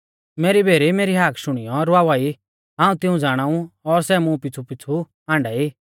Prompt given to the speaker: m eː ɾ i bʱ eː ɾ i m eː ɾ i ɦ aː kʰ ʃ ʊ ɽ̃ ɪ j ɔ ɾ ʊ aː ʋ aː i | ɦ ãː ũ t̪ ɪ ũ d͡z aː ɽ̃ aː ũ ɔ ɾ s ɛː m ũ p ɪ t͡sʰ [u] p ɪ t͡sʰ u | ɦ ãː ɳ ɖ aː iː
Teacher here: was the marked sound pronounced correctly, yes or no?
yes